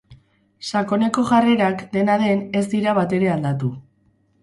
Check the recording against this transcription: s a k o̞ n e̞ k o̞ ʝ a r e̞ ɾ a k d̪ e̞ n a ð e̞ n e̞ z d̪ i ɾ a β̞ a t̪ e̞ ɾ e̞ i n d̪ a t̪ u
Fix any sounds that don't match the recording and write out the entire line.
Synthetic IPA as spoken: s a k o̞ n e̞ k o̞ ʝ a r e̞ ɾ a k d̪ e̞ n a ð e̞ n e̞ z d̪ i ɾ a β̞ a t̪ e̞ ɾ e̞ a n d̪ a t̪ u